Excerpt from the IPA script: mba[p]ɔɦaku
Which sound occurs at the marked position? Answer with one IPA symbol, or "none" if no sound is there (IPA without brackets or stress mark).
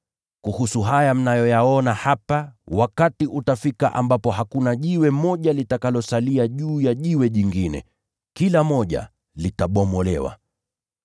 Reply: p